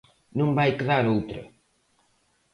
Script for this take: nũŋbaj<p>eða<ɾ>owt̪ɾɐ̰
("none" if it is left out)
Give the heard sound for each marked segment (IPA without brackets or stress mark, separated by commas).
k, ɾ